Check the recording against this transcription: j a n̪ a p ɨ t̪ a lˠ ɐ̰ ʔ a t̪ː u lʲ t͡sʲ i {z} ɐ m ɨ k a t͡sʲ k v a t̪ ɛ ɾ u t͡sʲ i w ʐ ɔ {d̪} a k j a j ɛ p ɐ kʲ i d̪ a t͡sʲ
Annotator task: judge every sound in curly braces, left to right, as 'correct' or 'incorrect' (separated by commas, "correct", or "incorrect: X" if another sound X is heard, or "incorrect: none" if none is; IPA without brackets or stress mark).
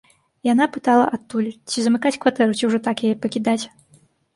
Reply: correct, incorrect: t̪